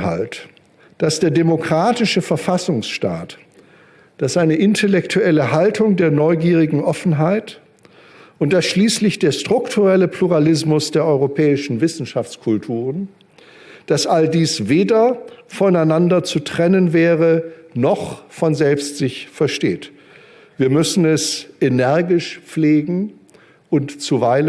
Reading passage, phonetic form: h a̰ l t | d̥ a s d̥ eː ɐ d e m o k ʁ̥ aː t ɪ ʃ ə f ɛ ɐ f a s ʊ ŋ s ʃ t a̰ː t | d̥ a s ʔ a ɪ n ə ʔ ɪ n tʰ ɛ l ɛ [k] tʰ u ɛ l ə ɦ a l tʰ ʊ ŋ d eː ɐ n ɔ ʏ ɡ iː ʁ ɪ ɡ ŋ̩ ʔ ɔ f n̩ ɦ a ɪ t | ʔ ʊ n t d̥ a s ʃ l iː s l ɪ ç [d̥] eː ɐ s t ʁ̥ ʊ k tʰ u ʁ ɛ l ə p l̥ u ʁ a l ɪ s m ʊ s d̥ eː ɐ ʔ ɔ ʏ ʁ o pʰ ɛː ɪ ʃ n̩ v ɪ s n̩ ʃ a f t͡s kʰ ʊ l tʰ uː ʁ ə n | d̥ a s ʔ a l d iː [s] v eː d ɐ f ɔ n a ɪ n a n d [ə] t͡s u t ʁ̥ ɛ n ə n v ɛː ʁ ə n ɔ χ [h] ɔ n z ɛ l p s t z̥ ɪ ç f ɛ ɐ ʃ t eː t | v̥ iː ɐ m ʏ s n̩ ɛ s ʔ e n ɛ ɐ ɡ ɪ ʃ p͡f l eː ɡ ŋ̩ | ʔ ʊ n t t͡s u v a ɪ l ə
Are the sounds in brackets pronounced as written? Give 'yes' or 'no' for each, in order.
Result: yes, yes, yes, no, no

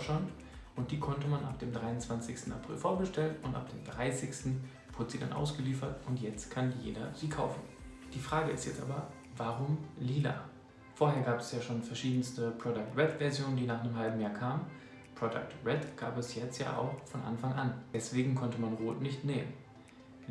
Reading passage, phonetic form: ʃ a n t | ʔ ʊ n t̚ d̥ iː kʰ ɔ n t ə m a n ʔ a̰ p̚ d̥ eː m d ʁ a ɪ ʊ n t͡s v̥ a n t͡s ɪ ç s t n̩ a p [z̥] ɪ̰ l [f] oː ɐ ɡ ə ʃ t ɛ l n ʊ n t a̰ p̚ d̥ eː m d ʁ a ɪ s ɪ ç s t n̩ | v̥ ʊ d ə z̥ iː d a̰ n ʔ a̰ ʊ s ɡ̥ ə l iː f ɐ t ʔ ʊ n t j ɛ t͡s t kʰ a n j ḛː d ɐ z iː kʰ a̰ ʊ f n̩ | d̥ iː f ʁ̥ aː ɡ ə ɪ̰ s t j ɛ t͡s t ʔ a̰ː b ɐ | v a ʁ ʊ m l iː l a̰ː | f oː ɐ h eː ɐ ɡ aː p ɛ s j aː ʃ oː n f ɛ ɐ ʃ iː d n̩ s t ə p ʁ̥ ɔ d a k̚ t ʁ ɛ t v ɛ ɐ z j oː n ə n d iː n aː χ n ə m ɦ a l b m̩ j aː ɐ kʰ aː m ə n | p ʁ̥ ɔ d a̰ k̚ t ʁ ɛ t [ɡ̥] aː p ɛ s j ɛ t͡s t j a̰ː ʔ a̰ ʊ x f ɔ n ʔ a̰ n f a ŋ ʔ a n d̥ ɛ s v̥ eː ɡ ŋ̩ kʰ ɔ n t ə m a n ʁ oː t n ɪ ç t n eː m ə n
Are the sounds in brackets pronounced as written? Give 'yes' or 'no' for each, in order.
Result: no, yes, yes

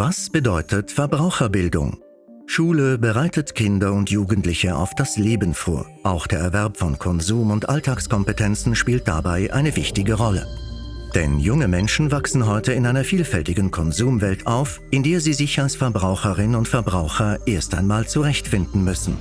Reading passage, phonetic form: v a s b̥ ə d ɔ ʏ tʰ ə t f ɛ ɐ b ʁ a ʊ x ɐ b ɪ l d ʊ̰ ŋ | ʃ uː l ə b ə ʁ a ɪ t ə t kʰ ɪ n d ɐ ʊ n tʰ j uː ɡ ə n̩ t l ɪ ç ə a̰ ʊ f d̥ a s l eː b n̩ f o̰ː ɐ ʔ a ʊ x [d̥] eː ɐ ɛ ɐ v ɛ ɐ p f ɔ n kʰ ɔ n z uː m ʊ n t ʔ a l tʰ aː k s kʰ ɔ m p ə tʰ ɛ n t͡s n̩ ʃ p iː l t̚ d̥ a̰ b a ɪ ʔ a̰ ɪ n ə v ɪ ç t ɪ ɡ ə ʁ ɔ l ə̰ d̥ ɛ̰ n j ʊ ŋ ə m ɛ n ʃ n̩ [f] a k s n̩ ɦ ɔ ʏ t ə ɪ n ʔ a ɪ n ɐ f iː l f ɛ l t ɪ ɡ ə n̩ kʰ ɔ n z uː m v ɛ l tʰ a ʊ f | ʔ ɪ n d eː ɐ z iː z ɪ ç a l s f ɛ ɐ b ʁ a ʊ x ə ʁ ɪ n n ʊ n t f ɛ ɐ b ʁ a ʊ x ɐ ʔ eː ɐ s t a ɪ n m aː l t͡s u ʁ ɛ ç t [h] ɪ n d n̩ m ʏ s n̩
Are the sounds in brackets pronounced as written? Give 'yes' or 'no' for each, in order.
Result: yes, no, no

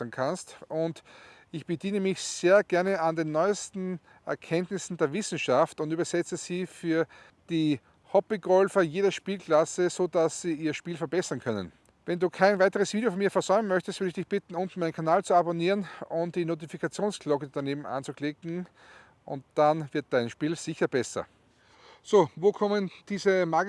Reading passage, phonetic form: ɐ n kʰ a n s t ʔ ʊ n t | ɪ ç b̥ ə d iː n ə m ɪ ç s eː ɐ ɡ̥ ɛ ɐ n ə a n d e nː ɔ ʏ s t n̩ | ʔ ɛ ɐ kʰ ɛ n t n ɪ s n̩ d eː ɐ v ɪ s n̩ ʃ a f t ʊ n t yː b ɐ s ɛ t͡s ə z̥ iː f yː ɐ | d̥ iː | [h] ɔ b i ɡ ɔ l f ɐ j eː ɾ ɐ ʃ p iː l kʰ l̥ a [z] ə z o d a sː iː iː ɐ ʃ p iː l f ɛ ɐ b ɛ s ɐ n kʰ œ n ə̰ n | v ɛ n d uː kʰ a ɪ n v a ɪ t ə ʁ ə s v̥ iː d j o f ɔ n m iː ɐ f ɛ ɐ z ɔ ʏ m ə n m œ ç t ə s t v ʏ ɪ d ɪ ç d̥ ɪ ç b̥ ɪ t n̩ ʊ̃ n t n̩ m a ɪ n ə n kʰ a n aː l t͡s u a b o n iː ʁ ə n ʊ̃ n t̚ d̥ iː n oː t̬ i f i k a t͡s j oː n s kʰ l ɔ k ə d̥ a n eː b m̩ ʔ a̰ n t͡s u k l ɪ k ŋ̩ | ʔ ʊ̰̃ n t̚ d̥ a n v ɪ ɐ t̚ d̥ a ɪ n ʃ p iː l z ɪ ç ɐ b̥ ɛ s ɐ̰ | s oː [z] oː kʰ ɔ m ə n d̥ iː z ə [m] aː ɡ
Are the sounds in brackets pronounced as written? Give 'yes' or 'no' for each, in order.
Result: yes, no, no, yes

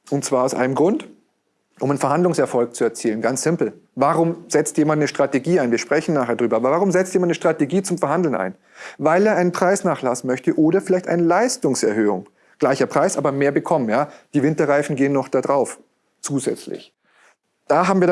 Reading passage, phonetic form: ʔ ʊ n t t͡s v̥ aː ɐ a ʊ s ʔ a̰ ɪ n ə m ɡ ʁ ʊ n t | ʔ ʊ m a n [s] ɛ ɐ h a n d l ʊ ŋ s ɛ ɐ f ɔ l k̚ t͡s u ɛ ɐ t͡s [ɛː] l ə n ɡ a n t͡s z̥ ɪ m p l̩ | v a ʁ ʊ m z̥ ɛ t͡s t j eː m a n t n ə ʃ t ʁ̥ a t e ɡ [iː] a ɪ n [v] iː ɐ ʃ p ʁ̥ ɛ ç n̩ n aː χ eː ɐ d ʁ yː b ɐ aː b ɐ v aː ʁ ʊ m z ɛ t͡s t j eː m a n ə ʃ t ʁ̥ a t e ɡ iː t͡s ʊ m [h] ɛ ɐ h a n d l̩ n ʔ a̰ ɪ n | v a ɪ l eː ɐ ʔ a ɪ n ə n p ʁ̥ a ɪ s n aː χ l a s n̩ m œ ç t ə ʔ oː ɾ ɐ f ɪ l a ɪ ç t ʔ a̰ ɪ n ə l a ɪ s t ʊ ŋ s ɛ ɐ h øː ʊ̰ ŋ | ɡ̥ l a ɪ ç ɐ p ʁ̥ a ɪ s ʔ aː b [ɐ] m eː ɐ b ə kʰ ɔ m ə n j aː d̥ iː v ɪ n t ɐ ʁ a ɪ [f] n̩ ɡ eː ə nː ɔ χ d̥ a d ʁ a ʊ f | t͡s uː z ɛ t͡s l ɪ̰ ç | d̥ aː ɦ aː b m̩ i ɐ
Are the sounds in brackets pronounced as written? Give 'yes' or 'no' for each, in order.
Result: no, no, yes, yes, no, yes, yes

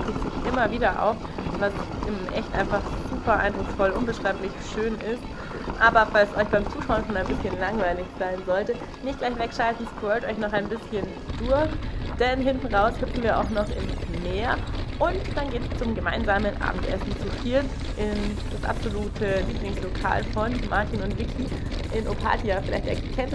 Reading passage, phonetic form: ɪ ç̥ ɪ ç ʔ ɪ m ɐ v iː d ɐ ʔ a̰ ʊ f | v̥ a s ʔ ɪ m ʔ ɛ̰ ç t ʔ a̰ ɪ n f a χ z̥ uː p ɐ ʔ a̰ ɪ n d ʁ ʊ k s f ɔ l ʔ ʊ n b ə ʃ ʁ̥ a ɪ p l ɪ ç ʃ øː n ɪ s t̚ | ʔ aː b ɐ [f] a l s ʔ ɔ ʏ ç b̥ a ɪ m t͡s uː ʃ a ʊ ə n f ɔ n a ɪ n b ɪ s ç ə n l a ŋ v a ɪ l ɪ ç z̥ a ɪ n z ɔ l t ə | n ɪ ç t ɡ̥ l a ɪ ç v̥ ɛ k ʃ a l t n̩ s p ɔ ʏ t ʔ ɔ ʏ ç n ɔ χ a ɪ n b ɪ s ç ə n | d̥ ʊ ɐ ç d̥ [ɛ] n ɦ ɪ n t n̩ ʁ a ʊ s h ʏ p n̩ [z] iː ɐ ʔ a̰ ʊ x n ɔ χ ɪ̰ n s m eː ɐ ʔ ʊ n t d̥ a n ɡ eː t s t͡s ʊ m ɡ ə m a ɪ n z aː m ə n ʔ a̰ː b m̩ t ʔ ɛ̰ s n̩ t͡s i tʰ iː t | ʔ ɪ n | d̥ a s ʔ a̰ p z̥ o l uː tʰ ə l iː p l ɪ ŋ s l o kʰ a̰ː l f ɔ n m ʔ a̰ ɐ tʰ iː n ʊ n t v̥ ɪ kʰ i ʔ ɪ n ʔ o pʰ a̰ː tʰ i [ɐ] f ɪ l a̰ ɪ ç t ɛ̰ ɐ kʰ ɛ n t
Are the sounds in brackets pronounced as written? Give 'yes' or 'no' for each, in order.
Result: yes, yes, no, no

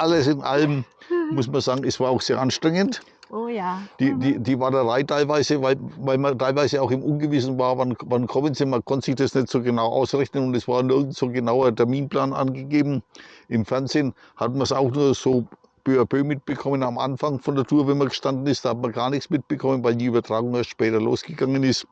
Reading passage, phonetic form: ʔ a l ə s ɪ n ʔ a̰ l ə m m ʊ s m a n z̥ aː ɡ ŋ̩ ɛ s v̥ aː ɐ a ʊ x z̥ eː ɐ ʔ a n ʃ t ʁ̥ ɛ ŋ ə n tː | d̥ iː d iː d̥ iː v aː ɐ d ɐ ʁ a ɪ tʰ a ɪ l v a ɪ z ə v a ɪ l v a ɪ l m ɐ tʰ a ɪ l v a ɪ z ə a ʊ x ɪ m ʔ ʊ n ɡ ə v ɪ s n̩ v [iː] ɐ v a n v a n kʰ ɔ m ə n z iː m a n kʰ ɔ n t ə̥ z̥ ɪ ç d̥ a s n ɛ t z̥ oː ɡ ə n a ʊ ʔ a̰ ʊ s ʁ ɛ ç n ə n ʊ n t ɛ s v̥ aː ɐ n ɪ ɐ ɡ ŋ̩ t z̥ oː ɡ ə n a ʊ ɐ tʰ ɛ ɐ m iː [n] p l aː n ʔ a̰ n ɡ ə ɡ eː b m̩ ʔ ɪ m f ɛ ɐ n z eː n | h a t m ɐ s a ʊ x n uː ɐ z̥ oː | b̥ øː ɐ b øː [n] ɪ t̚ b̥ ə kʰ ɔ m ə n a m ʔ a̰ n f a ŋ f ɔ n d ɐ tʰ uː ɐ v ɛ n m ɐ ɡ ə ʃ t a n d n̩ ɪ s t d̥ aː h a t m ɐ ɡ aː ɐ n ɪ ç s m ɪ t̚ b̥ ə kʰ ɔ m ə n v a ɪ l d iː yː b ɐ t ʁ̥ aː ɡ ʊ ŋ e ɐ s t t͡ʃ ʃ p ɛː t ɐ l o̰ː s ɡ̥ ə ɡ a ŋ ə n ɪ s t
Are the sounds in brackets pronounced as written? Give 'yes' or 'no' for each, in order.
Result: no, yes, no

